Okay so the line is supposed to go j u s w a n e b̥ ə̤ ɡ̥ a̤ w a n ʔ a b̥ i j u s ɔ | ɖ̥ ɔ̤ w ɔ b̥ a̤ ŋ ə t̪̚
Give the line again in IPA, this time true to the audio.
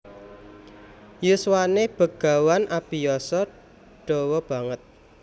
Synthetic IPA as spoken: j u s w a n e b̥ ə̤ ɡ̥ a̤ w a n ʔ a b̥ i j ɔ s ɔ | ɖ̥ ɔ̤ w ɔ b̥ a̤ ŋ ə t̪̚

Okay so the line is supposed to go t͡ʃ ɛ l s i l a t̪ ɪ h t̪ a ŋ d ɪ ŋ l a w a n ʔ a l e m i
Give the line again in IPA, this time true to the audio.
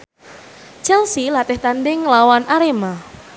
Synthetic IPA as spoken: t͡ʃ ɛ l s i l a t̪ ɪ h t̪ a n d ɪ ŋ l a w a n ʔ a ɾ e m a

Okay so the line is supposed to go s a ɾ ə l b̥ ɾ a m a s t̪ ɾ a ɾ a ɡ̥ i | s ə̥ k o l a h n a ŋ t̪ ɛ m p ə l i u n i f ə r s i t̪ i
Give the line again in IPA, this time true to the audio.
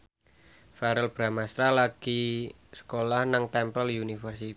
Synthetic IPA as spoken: f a ɾ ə l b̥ ɾ a m a s t̪ ɾ a l a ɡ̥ i | s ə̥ k o l a h n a ŋ t̪ ɛ m p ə l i u n i f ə r s i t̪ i

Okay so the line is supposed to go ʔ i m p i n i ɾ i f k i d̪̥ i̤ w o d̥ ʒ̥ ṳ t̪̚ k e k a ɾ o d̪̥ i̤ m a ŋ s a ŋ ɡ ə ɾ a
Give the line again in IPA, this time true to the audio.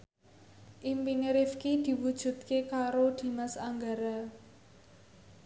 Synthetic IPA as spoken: ʔ i m p i n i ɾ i f k i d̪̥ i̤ w u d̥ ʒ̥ ṳ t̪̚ k e k a ɾ o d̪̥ i̤ m a s a ŋ ɡ a ɾ a

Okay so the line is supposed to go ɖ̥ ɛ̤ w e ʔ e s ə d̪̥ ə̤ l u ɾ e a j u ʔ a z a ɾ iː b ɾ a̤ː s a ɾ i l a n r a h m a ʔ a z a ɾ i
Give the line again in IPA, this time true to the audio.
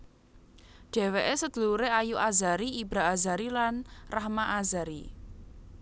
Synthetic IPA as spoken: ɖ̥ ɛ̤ w e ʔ e s ə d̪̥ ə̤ l u ɾ e a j u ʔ a z a ɾ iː b ɾ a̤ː z a ɾ i l a n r a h m a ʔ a z a ɾ i

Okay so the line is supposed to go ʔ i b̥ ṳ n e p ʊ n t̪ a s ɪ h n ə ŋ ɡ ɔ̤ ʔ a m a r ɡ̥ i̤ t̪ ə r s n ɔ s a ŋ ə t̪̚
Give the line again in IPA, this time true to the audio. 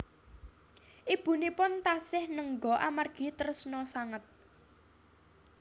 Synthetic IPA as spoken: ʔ i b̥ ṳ n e p ʊ n t̪ a s ɪ h n ə ŋ ɡ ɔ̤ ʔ a m a r ɡ̥ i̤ t̪ ə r s n ɔ s a ŋ ə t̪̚

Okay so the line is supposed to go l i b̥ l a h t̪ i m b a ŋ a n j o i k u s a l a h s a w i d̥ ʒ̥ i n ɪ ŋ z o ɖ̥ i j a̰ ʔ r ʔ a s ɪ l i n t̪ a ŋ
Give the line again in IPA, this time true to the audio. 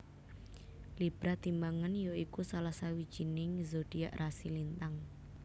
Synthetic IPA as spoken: l i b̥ ɾ a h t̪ i m b a ŋ a n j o i k u s a l a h s a w i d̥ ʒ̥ i n ɪ ŋ z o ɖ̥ i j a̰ ʔ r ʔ a s i l i n t̪ a ŋ

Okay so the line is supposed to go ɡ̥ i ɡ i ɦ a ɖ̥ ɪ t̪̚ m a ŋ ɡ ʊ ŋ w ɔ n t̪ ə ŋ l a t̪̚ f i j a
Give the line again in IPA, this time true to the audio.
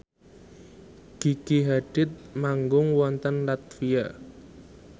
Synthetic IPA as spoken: ɡ̥ i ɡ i ɦ a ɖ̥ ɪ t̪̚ m a ŋ ɡ ʊ ŋ w ɔ n t̪ ə n l a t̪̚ f i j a

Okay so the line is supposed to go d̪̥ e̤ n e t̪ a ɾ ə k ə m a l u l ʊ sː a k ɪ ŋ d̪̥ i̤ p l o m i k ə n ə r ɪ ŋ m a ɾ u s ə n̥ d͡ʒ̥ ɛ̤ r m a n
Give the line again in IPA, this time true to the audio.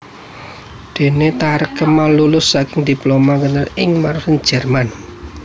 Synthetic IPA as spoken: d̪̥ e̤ n e t̪ a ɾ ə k ə m a l u l ʊ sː a k ɪ ŋ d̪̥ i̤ p l o m a k ə n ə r ɪ ŋ m a ɾ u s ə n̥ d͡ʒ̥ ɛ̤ r m a n

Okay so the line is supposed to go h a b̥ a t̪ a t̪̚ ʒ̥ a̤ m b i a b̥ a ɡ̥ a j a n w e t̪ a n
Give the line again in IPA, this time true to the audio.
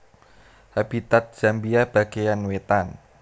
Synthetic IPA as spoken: h a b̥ i t̪ a t̪̚ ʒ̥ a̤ m b i a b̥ a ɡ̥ e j a n w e t̪ a n

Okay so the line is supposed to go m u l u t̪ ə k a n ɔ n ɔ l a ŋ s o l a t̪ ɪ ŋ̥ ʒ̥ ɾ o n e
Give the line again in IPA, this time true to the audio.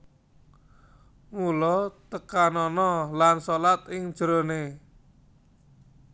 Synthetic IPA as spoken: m u l ɔ t̪ ə k a n ɔ n ɔ l a n s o l a t̪ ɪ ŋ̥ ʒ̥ ɾ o n e

